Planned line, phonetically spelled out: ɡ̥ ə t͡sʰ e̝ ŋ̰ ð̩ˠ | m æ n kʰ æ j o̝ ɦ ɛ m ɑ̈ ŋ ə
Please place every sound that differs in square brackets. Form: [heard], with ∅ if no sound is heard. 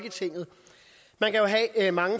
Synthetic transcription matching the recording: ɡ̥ ə t͡sʰ e̝ ŋ̰ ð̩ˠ | m æ n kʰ æ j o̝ ɦ ɛ m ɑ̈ ŋ ə

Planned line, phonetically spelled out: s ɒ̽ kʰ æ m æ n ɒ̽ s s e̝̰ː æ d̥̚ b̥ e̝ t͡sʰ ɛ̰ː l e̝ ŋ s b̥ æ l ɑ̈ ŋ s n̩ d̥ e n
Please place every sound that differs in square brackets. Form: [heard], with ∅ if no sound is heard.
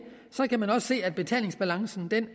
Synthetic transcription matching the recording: s ɒ̽ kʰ æ m æ n ɒ̽ s s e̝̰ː æ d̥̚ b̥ e̝ t͡sʰ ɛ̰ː l e̝ ŋ s b̥ æ l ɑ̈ ŋ s n̩ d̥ e n

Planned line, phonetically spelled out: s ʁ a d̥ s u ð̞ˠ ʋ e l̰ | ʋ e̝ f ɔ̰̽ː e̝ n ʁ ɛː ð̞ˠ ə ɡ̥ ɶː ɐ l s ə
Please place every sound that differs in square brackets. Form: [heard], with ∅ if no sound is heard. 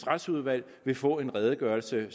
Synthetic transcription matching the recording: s ʁ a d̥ s u ð̞ˠ ʋ [æ] l̰ | ʋ e̝ f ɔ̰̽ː e̝ n ʁ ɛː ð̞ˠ ə ɡ̥ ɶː ɐ l s ə

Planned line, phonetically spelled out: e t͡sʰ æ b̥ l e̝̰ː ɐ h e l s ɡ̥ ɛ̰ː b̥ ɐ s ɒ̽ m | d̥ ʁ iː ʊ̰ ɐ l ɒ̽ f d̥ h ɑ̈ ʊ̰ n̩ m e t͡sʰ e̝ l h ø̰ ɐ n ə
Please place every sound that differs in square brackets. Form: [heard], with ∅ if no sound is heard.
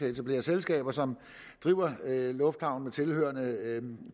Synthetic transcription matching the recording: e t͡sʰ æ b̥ l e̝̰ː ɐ [s] e l s ɡ̥ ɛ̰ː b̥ ɐ s ɒ̽ m | d̥ ʁ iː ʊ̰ ɐ l [ɔ̽] f d̥ h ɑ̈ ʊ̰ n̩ m e t͡sʰ e̝ l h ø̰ ɐ n ə

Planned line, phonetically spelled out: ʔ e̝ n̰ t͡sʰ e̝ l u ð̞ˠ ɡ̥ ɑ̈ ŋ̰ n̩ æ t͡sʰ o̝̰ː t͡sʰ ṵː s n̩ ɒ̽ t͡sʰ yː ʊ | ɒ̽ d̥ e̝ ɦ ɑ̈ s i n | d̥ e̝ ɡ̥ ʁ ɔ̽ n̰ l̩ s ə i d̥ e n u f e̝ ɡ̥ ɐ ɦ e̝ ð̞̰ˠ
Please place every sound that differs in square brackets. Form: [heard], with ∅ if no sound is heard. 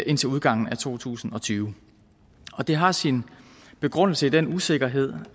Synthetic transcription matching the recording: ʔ e̝ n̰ t͡sʰ e̝ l u ð̞ˠ ɡ̥ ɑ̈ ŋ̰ n̩ æ t͡sʰ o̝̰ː t͡sʰ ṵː s n̩ ɒ̽ t͡sʰ yː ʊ | ɒ̽ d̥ e̝ ɦ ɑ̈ s i n | [b̥] e̝ ɡ̥ ʁ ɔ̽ n̰ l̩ s ə i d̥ e n u [s] e̝ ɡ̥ ɐ ɦ e̝ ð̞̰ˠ

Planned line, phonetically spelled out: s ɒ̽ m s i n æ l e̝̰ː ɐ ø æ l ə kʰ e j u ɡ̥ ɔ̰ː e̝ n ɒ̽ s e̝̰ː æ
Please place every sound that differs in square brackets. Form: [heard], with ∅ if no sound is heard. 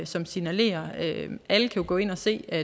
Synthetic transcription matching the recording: s ɒ̽ m s i n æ l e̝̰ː ɐ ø æ l ə kʰ [æ] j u ɡ̥ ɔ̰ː e̝ n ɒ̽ s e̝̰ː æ

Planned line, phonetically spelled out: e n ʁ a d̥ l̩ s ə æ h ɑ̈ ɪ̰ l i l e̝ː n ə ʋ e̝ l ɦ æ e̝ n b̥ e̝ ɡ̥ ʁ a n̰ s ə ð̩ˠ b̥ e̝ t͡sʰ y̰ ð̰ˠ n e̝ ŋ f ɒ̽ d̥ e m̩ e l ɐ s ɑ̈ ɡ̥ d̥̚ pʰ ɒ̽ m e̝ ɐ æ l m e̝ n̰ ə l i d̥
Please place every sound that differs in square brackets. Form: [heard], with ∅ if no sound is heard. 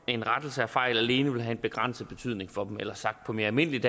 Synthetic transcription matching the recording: e n ʁ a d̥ l̩ s ə æ [f] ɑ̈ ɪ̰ l [æ] l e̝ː n ə ʋ e̝ l ɦ æ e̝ n b̥ e̝ ɡ̥ ʁ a n̰ s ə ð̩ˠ b̥ e̝ t͡sʰ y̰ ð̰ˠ n e̝ ŋ f ɒ̽ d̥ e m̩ e l ɐ s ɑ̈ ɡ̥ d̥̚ pʰ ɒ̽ m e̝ ɐ æ l m e̝ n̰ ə l i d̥

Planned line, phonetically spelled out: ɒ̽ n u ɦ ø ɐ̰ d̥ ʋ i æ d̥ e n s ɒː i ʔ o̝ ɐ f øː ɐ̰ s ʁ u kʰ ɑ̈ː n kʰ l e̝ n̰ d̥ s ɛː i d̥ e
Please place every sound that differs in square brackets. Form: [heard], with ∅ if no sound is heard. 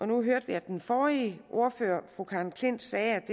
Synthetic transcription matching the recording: ɒ̽ n u ɦ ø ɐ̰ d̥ ʋ i æ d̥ e n [f] ɒː i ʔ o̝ ɐ f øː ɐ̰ [f] ʁ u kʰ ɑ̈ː n kʰ l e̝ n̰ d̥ s ɛː [æ] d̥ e

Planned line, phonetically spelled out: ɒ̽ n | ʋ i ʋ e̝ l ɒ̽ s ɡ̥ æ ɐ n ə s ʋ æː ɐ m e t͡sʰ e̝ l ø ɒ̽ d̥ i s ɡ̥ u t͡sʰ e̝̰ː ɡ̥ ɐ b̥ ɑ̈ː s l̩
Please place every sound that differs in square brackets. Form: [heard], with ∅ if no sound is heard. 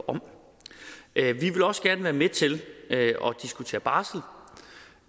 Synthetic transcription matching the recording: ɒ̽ [m] | ʋ i ʋ e̝ l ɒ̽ s ɡ̥ æ ɐ n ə [∅] ʋ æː ɐ m e t͡sʰ e̝ l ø ɒ̽ d̥ i s ɡ̥ u t͡sʰ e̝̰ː [∅] ɐ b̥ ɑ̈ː s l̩

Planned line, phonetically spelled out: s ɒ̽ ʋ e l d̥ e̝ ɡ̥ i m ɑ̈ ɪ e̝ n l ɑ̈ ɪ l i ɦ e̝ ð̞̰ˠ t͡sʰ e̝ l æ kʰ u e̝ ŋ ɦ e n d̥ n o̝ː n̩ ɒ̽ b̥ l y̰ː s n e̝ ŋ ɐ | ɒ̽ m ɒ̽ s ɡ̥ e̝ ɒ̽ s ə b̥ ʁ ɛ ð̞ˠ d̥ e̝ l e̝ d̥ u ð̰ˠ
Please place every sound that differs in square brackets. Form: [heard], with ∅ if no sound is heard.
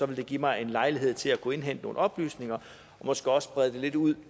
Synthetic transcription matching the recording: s ɒ̽ ʋ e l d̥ e̝ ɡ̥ i m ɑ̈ ɪ e̝ n l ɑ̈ ɪ l i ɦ e̝ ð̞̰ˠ t͡sʰ e̝ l æ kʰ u e̝ [n] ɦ e n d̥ n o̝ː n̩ ɒ̽ b̥ l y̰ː s n e̝ ŋ ɐ | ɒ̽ m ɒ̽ s ɡ̥ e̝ ɒ̽ s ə b̥ ʁ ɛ ð̞ˠ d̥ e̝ l e̝ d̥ u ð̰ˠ

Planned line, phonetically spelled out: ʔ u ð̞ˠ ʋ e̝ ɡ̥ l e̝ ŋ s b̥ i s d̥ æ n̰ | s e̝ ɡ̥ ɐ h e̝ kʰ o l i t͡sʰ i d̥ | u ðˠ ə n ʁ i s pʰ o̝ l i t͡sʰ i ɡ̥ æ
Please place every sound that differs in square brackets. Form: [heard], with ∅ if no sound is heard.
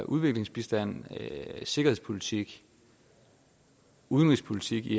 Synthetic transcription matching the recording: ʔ u ð̞ˠ ʋ e̝ ɡ̥ l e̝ ŋ s b̥ i s d̥ æ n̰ | s e̝ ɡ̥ ɐ h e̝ [pʰ] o l i t͡sʰ i [ɡ̥] | u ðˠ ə n ʁ i s pʰ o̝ l i t͡sʰ i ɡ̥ [i]

